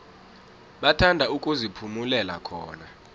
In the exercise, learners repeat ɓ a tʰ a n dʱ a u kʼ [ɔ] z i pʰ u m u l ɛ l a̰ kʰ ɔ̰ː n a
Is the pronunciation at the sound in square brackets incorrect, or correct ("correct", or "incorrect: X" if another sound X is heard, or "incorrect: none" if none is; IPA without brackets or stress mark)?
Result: incorrect: u